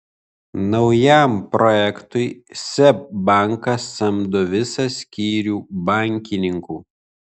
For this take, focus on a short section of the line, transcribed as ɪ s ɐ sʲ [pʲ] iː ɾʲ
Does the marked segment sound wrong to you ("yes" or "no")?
yes